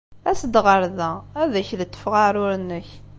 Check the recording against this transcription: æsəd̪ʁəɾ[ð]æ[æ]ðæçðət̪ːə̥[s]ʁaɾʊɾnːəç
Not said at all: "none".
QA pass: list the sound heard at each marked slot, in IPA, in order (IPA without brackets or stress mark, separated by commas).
ð, æ, f